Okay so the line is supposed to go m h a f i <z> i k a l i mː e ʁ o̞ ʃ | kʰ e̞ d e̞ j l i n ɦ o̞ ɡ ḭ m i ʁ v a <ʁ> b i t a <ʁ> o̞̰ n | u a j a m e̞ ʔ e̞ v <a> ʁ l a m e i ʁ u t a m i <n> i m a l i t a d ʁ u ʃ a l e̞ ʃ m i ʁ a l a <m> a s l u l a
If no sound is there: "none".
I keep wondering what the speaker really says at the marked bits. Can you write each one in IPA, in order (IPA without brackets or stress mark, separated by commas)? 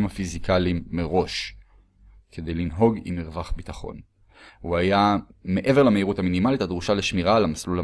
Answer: z, χ, χ, e, n, m